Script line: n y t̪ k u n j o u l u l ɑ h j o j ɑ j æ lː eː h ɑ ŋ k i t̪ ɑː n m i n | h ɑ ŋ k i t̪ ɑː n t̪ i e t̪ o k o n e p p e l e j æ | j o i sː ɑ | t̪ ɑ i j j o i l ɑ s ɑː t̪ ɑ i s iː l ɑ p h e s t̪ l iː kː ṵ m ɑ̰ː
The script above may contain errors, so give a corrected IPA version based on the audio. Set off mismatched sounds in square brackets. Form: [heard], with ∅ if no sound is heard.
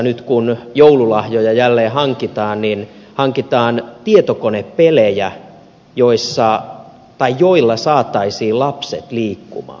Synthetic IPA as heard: n y t̪ k u n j o u l u l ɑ h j o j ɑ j æ lː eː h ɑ ŋ k i t̪ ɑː n [n] i n | h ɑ ŋ k i t̪ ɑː n t̪ i e t̪ o k o n e p p e l e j æ | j o i sː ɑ | t̪ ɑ i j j o i [lː] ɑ s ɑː t̪ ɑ i s iː l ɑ p [s] e [∅] t̪ l iː kː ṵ m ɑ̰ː

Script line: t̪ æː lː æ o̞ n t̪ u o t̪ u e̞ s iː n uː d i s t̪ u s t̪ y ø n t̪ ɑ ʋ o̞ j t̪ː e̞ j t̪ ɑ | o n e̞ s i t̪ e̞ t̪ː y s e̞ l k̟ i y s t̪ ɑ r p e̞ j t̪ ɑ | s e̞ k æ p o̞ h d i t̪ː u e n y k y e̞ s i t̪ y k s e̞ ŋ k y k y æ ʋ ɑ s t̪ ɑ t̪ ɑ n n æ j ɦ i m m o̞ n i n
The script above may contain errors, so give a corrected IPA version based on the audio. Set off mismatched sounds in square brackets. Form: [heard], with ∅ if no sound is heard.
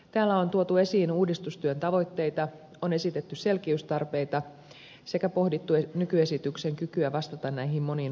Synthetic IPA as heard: t̪ æː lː æ o̞ n t̪ u o t̪ u e̞ s iː n uː d i s t̪ u s t̪ y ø n t̪ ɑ ʋ o̞ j t̪ː e̞ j t̪ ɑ | o n e̞ s i t̪ e̞ t̪ː y s e̞ l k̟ i y s t̪ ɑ r p e̞ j t̪ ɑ | s e̞ k æ p o̞ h d i t̪ː u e n y k y e̞ s i t̪ y k s e̞ ŋ k y k y æ ʋ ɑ s t̪ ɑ t̪ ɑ n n æ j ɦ i m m o̞ n i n

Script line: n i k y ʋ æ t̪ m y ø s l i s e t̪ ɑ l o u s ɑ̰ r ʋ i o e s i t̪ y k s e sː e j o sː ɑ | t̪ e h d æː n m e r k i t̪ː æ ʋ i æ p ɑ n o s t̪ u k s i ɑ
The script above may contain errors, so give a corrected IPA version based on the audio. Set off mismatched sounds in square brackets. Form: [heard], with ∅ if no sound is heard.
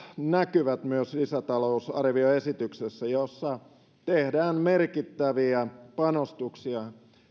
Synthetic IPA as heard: n [æ] k y ʋ æ t̪ m y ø s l i s [æ] t̪ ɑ l o u s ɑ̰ r ʋ i o e s i t̪ y k s e sː [æ] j o sː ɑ | t̪ e h d æː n m e r k i t̪ː æ ʋ i æ p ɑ n o s t̪ u k s i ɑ

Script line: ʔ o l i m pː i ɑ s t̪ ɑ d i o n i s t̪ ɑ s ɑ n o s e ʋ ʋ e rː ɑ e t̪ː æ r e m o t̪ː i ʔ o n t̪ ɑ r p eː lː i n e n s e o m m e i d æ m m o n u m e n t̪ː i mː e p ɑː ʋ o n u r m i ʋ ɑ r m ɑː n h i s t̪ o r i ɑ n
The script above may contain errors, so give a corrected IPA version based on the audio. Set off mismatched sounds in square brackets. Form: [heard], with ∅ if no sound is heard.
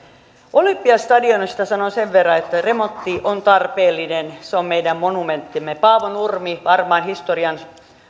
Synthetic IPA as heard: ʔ o l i m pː i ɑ s t̪ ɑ d i o n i s t̪ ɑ s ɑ n o s e ʋ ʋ e rː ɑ e t̪ː æ r e m o t̪ː i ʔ o n t̪ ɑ r p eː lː i n e n s e o m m e i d æ m m o n u m e n t̪ː i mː e p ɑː ʋ o n u r m i ʋ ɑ r m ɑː n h i s t̪ o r i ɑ n

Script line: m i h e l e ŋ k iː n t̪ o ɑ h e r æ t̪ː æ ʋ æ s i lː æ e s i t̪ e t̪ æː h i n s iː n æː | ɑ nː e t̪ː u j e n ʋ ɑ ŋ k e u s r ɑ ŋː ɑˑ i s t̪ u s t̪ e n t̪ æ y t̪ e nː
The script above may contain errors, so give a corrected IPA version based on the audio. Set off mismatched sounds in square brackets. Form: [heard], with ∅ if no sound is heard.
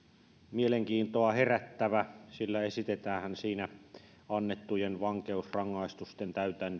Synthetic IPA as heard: m i [∅] e l e ŋ k iː n t̪ o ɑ h e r æ t̪ː æ ʋ æ s i lː æ e s i t̪ e t̪ æː h [æ] n s iː n [æ] | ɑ nː e t̪ː u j e n ʋ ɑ ŋ k e u s r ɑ ŋː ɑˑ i s t̪ u s t̪ e n t̪ æ y t̪ [æ] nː

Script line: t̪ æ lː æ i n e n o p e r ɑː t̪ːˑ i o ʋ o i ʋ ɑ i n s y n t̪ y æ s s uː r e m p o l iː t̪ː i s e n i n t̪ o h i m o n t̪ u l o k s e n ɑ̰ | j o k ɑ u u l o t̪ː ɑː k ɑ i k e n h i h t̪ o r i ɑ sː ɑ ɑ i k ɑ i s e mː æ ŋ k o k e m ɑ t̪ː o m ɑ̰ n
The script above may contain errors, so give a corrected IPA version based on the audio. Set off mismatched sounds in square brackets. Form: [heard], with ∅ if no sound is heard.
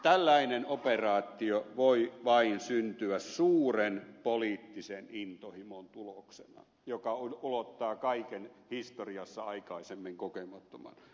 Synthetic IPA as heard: t̪ æ lː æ i n e n o p e r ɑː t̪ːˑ i o ʋ o i ʋ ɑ i n s y n t̪ y æ s s uː r e [n] p o l iː t̪ː i s e n i n t̪ o h i m o n t̪ u l o k s e n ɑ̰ | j o k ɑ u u l o t̪ː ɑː k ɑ i k e n h i [s] t̪ o r i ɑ sː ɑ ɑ i k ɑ i s e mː [i] ŋ k o k e m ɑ t̪ː o m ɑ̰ n

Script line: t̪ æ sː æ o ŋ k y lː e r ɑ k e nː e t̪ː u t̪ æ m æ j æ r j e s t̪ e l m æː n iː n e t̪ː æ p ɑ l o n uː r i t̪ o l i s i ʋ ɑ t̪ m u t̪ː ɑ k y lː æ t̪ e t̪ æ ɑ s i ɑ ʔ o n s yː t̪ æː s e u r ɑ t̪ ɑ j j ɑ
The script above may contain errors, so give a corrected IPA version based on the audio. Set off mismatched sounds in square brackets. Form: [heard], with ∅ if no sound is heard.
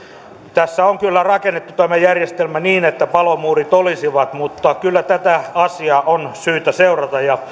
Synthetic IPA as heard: t̪ æ sː æ o ŋ k y lː [æ] r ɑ k e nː e t̪ː u t̪ æ m æ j æ r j e s t̪ e l m [æ] n iː n e t̪ː æ p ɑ l o [m] uː r i t̪ o l i s i ʋ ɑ t̪ m u t̪ː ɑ k y lː æ t̪ [æ] t̪ æ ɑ s i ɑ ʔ o n s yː t̪ [æ] s e u r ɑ t̪ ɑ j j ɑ

